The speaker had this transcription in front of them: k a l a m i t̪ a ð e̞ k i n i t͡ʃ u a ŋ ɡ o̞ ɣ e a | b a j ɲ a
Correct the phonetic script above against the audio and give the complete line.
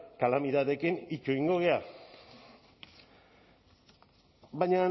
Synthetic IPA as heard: k a l a m i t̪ a ð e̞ k i n i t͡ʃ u i ŋ ɡ o̞ ɣ e a | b a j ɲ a